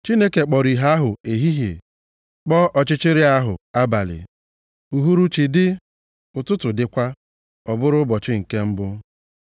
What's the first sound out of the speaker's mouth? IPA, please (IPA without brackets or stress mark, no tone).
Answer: t͡ʃ